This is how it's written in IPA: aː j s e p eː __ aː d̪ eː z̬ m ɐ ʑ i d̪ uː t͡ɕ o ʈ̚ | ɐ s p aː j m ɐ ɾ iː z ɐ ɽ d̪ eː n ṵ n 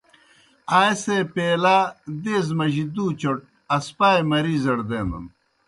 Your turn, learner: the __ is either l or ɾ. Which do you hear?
l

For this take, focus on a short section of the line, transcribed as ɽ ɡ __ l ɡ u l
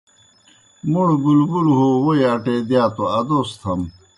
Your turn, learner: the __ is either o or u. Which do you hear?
u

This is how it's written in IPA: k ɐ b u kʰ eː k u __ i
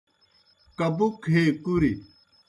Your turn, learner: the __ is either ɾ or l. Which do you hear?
ɾ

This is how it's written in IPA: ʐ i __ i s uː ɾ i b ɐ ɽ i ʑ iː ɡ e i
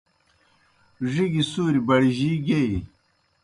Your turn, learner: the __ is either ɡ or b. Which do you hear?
ɡ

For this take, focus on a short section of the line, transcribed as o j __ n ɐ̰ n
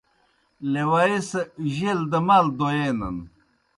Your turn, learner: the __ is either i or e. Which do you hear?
e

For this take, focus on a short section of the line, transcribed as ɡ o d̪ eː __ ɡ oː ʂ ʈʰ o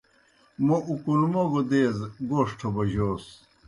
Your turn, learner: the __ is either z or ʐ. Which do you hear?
z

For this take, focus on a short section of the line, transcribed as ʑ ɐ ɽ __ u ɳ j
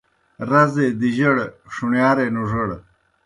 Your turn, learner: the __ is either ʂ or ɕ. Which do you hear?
ʂ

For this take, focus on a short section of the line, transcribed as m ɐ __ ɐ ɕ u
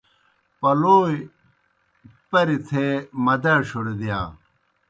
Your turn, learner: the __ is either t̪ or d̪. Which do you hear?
d̪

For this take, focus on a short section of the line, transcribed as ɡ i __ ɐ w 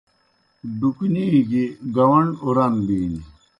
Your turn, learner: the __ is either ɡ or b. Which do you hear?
ɡ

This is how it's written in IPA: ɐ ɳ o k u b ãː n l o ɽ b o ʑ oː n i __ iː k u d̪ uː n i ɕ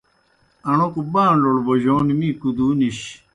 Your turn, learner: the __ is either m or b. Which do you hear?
m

